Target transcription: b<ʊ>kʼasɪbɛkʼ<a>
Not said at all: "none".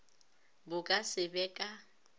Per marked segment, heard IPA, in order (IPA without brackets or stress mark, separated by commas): ʊ, a